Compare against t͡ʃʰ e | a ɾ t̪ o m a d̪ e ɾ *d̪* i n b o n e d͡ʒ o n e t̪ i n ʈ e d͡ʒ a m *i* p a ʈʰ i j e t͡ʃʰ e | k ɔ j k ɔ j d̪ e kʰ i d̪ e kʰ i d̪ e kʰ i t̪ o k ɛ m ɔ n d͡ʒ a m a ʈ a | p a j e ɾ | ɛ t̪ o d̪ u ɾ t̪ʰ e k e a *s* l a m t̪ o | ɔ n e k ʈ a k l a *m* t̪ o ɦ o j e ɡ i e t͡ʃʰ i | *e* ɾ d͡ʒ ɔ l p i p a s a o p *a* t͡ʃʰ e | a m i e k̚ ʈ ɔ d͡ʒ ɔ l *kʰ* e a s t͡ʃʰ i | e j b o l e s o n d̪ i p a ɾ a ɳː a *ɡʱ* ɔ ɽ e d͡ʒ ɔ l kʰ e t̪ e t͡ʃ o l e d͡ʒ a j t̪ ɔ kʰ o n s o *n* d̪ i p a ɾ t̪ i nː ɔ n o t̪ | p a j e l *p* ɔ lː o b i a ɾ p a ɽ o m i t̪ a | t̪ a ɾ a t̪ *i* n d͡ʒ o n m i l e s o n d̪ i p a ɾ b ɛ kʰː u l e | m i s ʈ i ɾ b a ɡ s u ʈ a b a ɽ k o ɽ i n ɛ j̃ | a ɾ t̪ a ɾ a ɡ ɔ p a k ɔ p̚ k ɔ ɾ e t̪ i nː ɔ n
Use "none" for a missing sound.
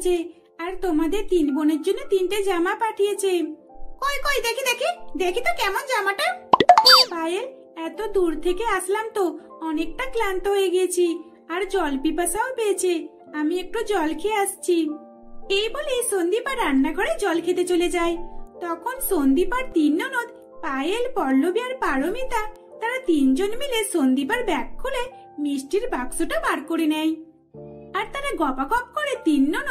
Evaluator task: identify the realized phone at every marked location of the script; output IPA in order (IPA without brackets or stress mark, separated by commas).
t̪, a, s, n, a, e, kʰ, ɡʱ, n, p, i